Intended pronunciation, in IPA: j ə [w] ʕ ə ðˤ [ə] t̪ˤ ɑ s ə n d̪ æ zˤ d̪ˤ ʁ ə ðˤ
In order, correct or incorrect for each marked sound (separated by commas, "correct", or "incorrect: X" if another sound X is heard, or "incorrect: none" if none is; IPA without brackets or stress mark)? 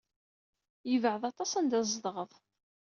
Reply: incorrect: v, incorrect: ɑ